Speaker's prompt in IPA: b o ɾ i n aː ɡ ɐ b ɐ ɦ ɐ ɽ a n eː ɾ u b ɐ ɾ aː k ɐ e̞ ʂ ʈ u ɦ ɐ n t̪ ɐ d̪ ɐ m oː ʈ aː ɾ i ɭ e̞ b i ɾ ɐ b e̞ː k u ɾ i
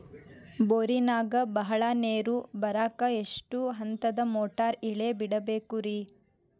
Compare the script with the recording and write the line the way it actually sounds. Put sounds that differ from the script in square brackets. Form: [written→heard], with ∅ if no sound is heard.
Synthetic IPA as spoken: b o ɾ i n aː ɡ ɐ b ɐ ɦ ɐ [ɽ→ɭ] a n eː ɾ u b ɐ ɾ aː k ɐ e̞ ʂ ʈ u ɦ ɐ n t̪ ɐ d̪ ɐ m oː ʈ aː ɾ i ɭ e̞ b i [ɾ→ɽ] ɐ b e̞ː k u ɾ i